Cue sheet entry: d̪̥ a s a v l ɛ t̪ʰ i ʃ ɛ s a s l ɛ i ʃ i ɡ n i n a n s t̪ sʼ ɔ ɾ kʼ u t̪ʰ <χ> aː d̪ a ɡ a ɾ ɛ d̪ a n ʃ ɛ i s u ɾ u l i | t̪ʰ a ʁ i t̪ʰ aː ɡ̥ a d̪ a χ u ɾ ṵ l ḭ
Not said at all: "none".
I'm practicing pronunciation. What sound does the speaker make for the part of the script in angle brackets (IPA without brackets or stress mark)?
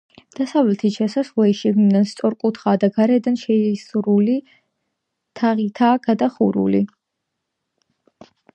χ